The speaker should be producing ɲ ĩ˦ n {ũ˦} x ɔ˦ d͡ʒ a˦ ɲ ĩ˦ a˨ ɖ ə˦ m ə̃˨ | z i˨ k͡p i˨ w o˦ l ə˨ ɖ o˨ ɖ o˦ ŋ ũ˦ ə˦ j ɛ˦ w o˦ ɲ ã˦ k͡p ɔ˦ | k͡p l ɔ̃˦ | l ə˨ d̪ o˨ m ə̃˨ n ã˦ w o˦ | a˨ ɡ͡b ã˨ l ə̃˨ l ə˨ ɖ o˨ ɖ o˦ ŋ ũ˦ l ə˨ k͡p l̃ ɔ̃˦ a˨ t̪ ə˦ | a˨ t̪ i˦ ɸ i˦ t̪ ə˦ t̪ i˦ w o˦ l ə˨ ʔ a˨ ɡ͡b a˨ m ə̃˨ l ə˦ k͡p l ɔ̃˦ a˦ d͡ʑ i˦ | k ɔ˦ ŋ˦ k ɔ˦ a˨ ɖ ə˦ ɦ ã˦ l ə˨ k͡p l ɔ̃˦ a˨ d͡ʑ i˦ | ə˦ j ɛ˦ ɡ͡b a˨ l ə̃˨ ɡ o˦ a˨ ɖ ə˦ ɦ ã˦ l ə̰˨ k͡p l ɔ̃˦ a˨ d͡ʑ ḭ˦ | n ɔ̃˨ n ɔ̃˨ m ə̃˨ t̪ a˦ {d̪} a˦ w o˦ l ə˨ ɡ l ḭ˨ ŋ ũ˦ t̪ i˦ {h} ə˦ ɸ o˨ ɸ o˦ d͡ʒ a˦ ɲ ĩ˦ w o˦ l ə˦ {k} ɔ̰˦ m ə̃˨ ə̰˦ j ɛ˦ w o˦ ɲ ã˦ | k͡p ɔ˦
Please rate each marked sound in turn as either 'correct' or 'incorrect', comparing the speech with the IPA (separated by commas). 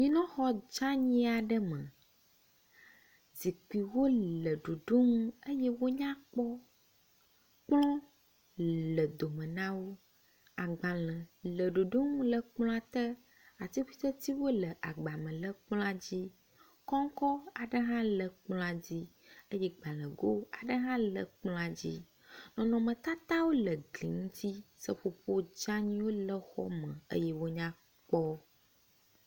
incorrect, incorrect, incorrect, incorrect